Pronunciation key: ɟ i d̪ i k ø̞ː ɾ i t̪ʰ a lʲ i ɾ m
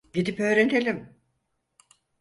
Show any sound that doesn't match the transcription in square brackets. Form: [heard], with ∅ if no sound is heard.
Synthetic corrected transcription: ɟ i d̪ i [p] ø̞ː ɾ [e] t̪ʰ [e] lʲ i [∅] m